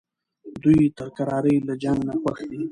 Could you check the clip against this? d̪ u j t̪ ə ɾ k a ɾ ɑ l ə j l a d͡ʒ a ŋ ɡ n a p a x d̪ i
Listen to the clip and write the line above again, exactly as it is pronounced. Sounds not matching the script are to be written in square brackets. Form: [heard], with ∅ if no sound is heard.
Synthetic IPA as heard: d̪ u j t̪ ə ɾ k a ɾ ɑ [ɾ] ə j l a d͡ʒ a ŋ ɡ n a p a x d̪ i